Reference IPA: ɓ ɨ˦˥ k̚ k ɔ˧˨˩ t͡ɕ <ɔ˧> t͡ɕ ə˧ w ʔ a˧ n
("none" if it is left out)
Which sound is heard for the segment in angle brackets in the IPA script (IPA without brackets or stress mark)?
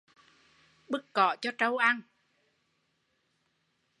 ɔ˧